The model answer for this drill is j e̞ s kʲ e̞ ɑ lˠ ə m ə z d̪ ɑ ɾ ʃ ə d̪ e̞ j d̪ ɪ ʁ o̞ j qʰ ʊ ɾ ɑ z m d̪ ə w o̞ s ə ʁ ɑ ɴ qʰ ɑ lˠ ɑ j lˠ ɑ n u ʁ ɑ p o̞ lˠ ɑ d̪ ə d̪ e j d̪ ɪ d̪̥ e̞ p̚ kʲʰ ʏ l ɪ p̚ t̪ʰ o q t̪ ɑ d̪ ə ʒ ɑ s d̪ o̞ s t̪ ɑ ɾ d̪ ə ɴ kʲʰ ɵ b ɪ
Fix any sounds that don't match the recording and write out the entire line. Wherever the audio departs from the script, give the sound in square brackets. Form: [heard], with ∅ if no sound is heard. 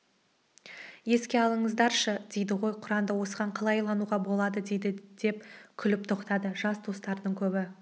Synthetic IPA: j e̞ s kʲ e̞ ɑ lˠ ə [ɴ] ə z d̪ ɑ ɾ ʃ ə d̪ e̞ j d̪ ɪ ʁ o̞ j qʰ ʊ ɾ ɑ [∅] m d̪ ə w o̞ s ə ʁ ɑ ɴ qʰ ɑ lˠ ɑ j lˠ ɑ n u ʁ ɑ [b] o̞ lˠ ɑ d̪ ə d̪ e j d̪ ɪ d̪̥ e̞ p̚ kʲʰ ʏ l ɪ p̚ t̪ʰ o q t̪ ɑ d̪ ə ʒ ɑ s d̪ o̞ s t̪ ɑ ɾ d̪ ə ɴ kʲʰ ɵ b ɪ